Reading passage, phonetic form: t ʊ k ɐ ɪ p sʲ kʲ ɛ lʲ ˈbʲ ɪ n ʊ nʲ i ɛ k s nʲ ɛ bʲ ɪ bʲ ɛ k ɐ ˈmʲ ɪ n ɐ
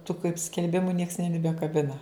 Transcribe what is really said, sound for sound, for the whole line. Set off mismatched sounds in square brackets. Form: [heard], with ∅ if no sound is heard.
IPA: t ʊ k ɐ ɪ p sʲ kʲ ɛ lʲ ˈbʲ ɪ [m] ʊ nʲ i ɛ k s nʲ ɛ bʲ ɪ bʲ ɛ k ɐ [ˈbʲ] ɪ n ɐ